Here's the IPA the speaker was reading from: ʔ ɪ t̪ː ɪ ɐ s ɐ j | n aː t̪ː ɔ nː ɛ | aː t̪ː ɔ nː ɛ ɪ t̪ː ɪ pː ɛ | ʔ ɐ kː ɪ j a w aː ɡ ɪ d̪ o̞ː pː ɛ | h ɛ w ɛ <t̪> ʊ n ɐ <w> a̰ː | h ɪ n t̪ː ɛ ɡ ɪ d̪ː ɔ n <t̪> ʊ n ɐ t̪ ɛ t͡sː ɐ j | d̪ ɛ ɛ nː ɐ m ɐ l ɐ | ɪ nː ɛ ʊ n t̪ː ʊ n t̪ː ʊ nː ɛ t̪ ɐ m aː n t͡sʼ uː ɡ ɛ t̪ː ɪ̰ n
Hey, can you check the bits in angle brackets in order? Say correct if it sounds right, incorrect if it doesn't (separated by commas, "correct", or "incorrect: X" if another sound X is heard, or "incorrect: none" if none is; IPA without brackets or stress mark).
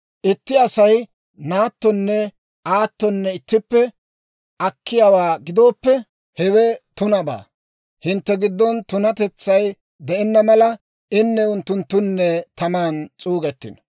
correct, incorrect: b, correct